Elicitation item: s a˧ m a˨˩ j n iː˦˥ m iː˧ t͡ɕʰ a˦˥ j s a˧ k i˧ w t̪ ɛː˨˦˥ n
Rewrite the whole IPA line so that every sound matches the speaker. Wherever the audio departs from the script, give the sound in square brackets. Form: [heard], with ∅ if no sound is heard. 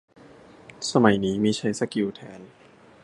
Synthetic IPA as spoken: s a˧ m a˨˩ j n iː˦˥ m iː˧ t͡ɕʰ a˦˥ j s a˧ k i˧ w [t̪ʰ] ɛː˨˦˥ n